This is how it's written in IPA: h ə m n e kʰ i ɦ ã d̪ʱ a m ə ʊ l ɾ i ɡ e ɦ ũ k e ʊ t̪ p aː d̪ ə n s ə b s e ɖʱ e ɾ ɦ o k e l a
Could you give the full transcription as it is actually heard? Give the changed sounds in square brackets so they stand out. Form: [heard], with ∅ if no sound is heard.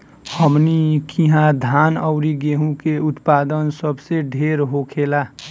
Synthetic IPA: h ə m n [i] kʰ i ɦ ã d̪ʱ a [n] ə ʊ [∅] ɾ i ɡ e ɦ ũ k e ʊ t̪ p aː d̪ ə n s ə b s e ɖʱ e ɾ ɦ o [kʰ] e l a